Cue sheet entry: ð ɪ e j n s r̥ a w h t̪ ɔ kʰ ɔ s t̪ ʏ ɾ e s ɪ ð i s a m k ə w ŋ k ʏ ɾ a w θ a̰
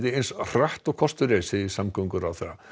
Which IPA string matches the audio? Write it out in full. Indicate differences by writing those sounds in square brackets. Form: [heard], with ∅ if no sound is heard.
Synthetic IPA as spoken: ð ɪ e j n s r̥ a [∅] h t̪ ɔ kʰ ɔ s t̪ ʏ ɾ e s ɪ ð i s a m k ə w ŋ k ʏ ɾ a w θ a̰